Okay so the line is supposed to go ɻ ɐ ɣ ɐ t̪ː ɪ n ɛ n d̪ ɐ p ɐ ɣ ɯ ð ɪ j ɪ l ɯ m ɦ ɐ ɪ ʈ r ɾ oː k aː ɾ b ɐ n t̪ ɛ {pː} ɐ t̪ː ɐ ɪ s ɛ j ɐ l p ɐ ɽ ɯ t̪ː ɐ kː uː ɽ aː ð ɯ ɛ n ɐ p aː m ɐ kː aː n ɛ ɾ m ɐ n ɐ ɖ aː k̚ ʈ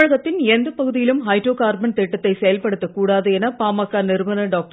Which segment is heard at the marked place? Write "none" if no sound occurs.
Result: ʈː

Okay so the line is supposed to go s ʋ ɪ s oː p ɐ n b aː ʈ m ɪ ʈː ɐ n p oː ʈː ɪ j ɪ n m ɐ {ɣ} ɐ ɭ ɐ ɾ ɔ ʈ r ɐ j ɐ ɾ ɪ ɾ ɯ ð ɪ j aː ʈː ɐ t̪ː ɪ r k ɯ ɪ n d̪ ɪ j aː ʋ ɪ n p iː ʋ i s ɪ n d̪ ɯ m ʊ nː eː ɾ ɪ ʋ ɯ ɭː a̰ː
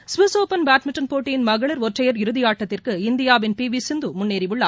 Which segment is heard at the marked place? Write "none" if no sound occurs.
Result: ɣ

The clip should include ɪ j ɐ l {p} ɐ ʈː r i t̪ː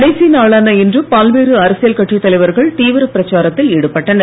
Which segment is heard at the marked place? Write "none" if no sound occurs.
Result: k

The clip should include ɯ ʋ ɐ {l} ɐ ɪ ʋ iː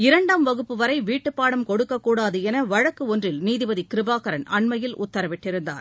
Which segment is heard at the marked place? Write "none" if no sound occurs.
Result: ɾ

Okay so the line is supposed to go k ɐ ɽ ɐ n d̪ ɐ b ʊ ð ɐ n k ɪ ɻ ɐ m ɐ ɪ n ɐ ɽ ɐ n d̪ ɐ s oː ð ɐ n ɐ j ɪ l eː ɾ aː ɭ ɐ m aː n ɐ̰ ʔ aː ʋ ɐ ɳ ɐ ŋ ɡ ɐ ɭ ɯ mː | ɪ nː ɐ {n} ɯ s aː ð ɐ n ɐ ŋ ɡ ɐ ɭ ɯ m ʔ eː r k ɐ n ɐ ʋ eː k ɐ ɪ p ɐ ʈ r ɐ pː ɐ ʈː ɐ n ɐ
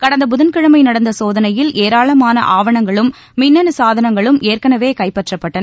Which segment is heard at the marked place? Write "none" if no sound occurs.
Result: n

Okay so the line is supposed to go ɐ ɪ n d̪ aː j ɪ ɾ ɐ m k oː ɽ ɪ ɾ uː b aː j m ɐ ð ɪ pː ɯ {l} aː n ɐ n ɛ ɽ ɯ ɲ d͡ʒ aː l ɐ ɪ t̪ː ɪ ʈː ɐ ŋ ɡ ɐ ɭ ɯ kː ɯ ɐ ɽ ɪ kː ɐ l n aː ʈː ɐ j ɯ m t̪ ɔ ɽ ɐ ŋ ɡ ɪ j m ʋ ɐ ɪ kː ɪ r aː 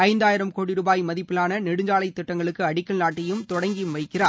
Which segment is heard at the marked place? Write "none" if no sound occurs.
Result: l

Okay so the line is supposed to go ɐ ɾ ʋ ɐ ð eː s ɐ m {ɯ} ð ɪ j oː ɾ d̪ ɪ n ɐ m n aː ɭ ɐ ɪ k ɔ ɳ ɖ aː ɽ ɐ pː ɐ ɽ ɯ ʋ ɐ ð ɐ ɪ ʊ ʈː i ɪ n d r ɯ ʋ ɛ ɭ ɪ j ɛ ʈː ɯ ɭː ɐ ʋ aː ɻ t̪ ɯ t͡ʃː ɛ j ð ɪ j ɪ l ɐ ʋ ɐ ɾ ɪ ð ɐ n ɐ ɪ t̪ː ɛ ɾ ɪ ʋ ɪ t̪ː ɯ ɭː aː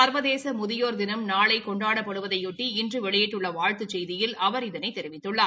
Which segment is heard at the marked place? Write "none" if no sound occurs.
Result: ʊ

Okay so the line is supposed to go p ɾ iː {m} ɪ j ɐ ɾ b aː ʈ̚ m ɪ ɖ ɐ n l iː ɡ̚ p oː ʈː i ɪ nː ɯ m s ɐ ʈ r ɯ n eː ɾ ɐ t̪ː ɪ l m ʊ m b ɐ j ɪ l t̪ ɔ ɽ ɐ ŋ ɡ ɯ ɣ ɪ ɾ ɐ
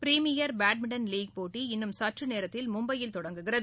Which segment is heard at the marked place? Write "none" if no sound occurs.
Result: m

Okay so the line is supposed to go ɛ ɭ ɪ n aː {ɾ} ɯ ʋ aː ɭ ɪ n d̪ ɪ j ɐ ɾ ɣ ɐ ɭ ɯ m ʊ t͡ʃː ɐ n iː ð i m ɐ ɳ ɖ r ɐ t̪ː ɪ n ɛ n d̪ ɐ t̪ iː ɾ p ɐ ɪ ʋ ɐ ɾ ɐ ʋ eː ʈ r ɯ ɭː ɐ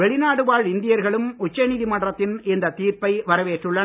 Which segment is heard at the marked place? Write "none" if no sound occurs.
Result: ɽ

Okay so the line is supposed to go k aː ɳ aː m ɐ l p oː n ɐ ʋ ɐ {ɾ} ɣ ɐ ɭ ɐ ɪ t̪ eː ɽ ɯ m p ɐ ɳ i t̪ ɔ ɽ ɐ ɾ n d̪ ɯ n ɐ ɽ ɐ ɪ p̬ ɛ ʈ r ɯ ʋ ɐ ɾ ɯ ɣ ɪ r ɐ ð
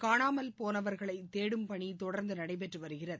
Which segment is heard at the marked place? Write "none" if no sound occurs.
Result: ɾ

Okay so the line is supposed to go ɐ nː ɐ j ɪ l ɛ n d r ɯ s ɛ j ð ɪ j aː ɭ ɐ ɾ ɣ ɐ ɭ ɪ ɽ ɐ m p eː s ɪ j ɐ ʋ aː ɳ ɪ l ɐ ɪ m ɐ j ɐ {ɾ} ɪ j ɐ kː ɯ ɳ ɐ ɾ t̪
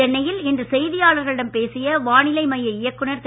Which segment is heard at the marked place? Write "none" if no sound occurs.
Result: none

